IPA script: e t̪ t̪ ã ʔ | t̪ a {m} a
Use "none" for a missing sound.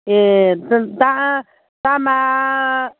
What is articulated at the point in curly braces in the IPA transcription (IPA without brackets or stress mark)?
m